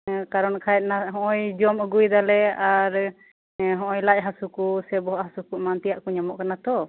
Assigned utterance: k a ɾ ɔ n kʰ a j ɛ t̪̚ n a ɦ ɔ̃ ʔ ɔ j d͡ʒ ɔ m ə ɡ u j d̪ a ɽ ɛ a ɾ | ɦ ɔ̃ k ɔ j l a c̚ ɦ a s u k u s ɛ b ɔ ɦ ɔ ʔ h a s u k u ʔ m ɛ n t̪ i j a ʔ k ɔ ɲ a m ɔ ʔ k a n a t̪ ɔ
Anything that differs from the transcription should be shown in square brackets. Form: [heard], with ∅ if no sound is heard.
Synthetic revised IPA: k a ɾ ɔ n kʰ a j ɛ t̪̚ n a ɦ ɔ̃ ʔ ɔ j d͡ʒ ɔ m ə ɡ u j d̪ a [l] ɛ a ɾ | ɦ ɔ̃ [ʔ] ɔ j l a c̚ ɦ a s u k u s ɛ b ɔ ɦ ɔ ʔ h a s u k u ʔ m [a] n t̪ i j a ʔ k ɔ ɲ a m ɔ ʔ k a n a t̪ ɔ